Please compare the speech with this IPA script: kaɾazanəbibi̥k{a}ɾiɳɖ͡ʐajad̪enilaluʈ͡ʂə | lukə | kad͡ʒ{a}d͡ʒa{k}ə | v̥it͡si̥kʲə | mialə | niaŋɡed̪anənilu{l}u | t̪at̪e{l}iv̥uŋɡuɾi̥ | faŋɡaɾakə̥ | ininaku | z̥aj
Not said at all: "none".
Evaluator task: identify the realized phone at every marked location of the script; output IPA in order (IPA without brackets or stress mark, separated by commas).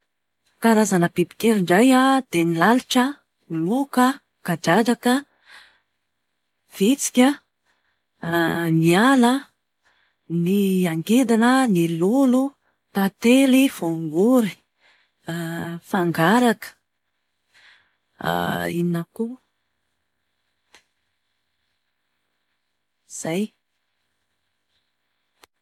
e, a, k, l, l